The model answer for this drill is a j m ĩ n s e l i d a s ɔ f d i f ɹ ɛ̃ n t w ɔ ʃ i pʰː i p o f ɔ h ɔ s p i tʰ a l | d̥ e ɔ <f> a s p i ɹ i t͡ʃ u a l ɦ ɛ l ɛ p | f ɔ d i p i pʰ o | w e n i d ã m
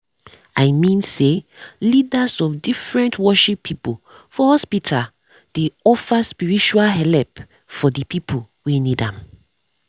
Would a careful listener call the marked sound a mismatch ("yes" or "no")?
no